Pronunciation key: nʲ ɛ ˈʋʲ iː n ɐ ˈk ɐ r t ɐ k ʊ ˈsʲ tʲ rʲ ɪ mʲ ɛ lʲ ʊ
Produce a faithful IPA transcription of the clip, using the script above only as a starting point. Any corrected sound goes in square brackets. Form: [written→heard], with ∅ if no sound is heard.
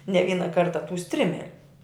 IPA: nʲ ɛ ˈʋʲ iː n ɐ ˈk ɐ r t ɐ [k→t] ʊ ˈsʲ tʲ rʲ ɪ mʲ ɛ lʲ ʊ